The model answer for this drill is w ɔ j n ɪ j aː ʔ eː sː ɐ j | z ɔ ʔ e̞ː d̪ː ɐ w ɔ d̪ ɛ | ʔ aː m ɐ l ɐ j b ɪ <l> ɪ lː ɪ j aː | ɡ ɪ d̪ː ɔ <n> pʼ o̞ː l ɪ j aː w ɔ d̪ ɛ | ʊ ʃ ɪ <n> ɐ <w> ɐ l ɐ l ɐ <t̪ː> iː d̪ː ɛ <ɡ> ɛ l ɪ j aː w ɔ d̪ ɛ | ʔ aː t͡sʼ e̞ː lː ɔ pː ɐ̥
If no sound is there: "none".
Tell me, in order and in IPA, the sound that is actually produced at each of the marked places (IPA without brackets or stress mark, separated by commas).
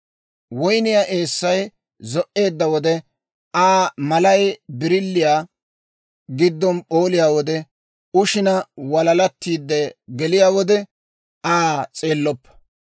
ɾ, n, n, w, t̪ː, ɡ